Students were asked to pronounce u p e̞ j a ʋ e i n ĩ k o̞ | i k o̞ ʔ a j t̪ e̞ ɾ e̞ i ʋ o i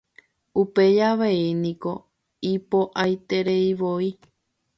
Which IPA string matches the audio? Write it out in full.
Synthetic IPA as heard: u p e̞ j a ʋ e i n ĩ k o̞ | i p o̞ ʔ a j t̪ e̞ ɾ e̞ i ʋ o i